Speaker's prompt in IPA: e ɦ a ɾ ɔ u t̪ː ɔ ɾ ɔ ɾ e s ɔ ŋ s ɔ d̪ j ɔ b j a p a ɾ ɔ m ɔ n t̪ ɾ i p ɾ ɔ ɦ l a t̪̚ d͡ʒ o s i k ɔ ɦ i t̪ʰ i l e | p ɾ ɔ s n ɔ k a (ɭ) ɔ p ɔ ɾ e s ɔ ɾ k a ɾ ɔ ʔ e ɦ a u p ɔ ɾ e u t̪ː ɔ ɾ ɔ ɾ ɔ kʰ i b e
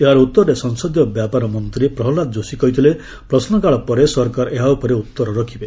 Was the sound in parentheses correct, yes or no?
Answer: yes